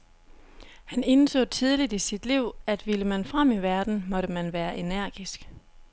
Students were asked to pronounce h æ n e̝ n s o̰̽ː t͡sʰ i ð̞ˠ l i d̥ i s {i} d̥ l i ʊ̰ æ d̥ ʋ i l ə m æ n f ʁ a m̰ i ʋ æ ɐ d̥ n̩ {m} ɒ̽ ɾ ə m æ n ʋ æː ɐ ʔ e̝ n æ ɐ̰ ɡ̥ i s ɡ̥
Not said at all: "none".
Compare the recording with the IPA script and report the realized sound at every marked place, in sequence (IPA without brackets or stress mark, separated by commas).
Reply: i, m